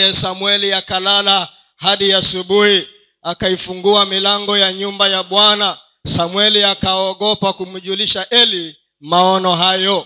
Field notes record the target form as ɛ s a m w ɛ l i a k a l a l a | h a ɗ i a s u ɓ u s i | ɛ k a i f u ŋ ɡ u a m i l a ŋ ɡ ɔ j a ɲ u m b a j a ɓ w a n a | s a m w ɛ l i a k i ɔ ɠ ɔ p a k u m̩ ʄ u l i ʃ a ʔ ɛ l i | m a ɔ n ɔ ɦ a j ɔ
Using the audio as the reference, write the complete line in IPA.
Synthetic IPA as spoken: ɛ s a m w ɛ l i a k a l a l a | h a ɗ i a s u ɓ u h i | a k a i f u ŋ ɡ u a m i l a ŋ ɡ ɔ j a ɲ u m b a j a ɓ w a n a | s a m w ɛ l i a k a ɔ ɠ ɔ p a k u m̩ ʄ u l i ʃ a ʔ ɛ l i | m a ɔ n ɔ ɦ a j ɔ